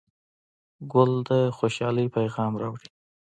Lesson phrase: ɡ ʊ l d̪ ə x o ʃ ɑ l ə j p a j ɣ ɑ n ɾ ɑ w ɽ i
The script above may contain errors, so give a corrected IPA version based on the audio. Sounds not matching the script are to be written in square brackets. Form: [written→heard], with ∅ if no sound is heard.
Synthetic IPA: ɡ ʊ l d̪ ə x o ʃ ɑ l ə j p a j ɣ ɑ [n→m] ɾ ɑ w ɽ i